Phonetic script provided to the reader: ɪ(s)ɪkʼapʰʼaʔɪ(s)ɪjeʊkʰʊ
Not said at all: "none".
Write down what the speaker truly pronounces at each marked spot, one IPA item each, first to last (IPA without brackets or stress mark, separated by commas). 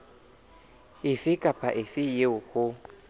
f, f